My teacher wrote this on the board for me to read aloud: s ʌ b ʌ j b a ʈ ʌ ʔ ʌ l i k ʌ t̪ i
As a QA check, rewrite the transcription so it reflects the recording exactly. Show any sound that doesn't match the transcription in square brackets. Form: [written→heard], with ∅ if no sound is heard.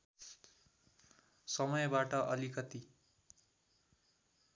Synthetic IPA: s ʌ [b→m] ʌ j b a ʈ ʌ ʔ ʌ l i k ʌ t̪ i